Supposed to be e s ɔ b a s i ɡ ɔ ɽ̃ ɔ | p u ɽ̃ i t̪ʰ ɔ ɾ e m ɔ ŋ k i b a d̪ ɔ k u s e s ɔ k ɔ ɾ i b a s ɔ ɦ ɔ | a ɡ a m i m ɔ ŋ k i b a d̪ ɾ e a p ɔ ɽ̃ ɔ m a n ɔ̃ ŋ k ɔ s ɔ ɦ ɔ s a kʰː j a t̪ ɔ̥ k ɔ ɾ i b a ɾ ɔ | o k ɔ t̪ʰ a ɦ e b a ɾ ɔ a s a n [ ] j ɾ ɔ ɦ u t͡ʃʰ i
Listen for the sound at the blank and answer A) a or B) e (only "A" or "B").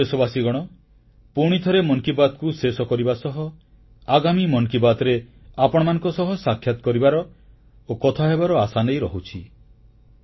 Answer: B